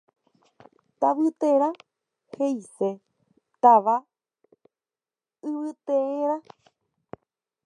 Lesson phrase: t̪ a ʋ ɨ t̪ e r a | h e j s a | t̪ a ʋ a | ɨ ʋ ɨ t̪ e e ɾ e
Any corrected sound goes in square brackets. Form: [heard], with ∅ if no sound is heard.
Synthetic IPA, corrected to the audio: t̪ a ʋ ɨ t̪ e [ɾ] a | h e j s [e] | t̪ a ʋ a | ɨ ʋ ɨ t̪ e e ɾ [a]